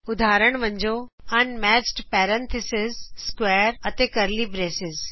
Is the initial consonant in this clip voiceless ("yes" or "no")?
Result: no